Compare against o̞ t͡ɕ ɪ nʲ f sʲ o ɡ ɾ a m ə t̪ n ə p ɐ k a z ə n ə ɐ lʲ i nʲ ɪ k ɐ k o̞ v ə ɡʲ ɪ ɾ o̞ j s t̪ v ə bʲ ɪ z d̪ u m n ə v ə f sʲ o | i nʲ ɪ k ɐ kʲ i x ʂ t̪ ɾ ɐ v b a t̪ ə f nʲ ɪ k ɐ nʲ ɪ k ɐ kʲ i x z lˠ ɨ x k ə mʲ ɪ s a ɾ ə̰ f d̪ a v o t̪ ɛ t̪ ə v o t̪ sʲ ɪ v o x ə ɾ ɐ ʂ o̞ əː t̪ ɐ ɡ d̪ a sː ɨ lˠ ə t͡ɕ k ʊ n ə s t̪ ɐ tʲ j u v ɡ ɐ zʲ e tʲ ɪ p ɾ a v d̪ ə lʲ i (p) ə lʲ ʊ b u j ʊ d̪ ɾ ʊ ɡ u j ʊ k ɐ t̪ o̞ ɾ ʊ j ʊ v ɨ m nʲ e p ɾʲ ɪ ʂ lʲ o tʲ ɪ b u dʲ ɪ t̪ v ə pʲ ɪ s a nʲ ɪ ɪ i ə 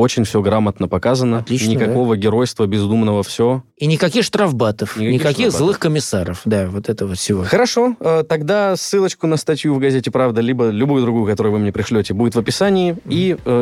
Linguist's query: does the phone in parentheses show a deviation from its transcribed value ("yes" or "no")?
yes